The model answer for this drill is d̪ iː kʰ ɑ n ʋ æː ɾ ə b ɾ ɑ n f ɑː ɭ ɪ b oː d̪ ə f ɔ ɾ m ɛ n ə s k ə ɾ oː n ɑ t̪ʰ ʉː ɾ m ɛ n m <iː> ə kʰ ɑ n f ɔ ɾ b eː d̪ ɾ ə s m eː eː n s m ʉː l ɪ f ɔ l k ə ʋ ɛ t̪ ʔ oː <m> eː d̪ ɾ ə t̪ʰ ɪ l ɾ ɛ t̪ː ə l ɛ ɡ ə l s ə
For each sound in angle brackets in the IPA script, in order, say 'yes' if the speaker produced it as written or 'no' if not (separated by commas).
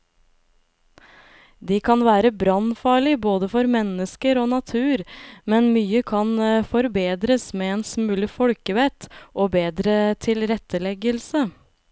no, no